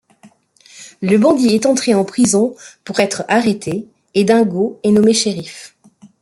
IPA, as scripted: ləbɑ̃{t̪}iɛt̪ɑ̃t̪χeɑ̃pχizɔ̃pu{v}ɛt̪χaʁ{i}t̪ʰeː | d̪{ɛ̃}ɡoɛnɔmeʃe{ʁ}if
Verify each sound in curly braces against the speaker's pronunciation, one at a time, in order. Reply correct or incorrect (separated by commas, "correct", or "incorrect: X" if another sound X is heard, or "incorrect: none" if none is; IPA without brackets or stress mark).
incorrect: d̪, incorrect: ʁ, incorrect: e, correct, correct